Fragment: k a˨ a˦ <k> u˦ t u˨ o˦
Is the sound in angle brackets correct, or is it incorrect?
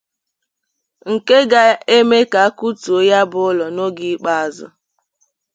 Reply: correct